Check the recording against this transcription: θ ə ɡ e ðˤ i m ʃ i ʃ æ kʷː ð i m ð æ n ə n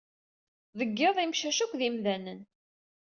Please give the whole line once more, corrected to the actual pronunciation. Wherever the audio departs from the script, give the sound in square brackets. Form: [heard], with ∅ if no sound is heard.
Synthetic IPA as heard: [ð] ə [ɡː] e ðˤ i m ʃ [æ] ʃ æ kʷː ð i m ð æ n ə n